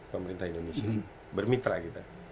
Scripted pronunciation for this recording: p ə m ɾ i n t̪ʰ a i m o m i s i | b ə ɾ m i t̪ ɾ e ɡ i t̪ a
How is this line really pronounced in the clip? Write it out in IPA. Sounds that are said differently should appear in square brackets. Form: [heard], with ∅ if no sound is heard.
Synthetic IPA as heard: p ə m ɾ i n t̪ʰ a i [n] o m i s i | b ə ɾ m i t̪ ɾ [a] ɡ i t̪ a